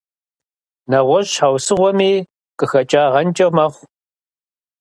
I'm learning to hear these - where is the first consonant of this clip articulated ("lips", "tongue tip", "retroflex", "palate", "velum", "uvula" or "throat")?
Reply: tongue tip